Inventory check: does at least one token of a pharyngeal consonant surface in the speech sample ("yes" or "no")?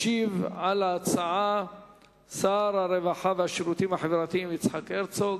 yes